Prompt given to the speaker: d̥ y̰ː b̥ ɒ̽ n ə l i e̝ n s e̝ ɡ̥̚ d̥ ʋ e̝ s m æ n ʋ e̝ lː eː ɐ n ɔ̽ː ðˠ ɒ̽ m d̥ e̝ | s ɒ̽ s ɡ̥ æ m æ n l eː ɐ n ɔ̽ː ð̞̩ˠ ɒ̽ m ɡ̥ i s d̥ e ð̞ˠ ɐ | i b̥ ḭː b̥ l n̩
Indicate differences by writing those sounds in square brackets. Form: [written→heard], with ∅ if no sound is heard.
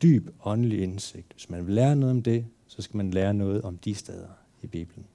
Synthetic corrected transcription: d̥ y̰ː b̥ ɒ̽ n ə l i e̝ n s e̝ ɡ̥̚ d̥ ʋ e̝ s m æ n ʋ e̝ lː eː ɐ n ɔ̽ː ðˠ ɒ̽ m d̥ e̝ | s ɒ̽ s ɡ̥ æ m æ n l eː ɐ n ɔ̽ː ð̞̩ˠ ɒ̽ m [ɡ̥→d̥] i s d̥ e ð̞ˠ ɐ | i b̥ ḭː b̥ l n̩